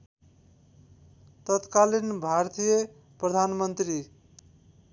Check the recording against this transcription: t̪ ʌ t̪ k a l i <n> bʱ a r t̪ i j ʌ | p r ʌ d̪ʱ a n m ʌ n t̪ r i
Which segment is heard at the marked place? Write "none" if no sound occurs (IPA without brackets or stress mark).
n